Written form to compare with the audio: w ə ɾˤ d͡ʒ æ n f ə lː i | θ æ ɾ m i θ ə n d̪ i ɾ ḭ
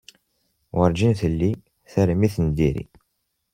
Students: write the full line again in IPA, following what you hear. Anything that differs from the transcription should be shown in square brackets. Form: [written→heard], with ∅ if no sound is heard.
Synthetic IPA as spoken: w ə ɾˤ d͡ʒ [æ→i] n [f→θ] ə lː i | θ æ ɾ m i θ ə n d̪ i ɾ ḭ